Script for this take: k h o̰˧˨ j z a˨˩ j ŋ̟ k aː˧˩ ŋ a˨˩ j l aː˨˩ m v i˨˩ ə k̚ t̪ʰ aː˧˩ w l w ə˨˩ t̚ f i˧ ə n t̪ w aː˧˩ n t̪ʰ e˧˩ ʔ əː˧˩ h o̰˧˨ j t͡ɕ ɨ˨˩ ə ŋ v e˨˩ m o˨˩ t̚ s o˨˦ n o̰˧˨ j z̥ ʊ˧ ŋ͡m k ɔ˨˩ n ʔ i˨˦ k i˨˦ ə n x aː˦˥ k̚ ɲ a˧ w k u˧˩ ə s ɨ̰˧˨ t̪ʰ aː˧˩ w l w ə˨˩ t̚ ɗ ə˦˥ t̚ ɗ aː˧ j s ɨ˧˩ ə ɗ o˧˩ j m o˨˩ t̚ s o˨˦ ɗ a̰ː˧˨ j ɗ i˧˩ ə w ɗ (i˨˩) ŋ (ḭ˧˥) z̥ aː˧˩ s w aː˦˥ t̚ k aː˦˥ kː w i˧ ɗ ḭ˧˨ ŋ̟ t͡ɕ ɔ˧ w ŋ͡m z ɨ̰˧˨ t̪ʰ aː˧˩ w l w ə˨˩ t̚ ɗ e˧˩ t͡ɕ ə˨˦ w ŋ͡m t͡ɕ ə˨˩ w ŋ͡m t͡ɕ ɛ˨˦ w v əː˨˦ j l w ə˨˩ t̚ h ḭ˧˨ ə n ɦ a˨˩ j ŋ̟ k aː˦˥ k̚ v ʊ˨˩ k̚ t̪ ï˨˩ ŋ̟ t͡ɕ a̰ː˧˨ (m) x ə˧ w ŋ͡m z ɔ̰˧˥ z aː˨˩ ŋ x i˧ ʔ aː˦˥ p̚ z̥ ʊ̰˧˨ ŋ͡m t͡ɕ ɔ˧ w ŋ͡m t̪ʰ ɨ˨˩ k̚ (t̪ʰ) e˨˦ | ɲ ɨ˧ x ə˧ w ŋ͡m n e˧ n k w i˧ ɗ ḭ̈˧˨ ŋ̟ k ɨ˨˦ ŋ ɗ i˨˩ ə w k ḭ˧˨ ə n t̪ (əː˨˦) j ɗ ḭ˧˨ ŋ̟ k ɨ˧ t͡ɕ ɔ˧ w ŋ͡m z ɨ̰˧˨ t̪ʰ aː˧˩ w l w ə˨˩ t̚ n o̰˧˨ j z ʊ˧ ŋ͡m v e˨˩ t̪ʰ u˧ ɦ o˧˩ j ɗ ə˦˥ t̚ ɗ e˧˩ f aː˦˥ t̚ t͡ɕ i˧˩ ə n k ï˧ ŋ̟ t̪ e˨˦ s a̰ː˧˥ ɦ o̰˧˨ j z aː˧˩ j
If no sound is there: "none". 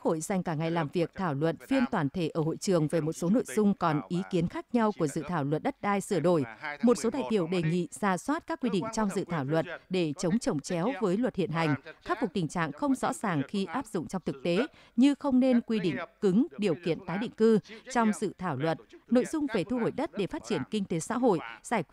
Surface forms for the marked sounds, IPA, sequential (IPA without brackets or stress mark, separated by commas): e˨˩, ḭ˧˨, ŋ, t̪, aː˨˦